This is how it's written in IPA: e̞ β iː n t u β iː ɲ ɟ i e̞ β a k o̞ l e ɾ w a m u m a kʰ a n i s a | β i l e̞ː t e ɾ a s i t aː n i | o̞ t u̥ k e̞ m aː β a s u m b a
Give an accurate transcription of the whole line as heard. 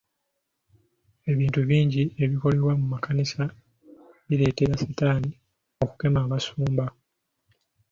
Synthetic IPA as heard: e̞ β iː n t u β iː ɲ ɟ i e̞ β i k o̞ l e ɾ w a m u m a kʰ a n i s a | β i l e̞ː t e ɾ a s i t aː n i | o̞ k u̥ k e̞ m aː β a s uː m b a